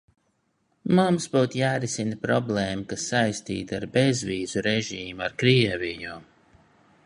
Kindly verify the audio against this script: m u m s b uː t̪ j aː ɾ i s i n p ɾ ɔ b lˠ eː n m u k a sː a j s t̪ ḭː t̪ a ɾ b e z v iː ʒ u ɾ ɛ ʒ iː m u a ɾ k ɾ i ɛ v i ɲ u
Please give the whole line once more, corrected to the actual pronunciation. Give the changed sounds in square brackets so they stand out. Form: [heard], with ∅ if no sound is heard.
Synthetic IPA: m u m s b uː t̪ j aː ɾ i s i n p ɾ ɔ b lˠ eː [∅] m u k a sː a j s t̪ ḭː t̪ a ɾ b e z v iː [z] u ɾ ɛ ʒ iː m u a ɾ k ɾ i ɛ v i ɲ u